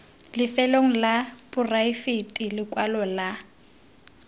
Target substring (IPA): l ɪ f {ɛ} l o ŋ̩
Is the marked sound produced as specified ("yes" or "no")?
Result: yes